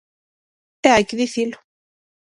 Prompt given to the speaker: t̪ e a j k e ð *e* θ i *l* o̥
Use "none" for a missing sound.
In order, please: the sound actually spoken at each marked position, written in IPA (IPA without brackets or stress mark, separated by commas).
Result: i, l